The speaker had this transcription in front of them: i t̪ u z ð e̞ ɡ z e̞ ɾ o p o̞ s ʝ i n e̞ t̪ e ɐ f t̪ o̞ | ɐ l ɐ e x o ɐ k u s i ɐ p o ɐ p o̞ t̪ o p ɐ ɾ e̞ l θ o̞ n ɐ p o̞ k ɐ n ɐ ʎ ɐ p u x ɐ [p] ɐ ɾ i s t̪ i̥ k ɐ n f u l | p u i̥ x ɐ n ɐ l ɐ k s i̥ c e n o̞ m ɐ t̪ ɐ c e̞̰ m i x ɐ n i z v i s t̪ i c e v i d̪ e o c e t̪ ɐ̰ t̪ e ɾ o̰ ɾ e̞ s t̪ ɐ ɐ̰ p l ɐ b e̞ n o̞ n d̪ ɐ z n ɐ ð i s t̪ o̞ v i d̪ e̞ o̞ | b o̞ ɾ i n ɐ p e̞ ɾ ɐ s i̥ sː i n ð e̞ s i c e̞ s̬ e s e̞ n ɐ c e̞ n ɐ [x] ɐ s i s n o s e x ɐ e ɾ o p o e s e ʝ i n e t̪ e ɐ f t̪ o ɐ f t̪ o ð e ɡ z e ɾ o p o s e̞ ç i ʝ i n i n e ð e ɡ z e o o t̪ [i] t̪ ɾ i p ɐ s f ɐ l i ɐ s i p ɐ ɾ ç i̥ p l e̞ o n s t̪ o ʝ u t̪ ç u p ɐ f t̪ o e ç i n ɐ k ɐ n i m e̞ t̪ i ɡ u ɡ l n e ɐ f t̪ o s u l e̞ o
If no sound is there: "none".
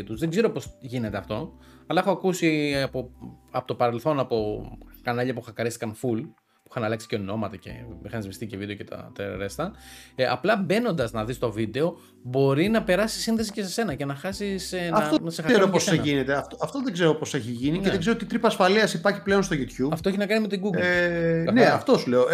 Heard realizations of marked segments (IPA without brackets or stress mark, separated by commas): k, x, i